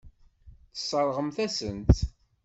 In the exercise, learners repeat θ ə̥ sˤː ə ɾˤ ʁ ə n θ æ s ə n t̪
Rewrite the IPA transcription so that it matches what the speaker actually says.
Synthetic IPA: θ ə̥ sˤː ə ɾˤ ʁ ə m θ æ s ə n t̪